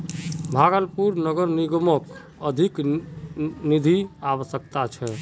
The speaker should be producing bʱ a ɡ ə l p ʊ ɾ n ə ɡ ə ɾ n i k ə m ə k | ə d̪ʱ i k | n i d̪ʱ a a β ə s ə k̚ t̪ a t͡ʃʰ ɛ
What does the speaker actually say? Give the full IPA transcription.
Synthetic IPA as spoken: bʱ a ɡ ə l p u ɾ n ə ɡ ə ɾ n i ɡ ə m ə k | ə d̪ʱ i k | n i d̪ʱ i a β ə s ə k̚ t̪ a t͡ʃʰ ɛ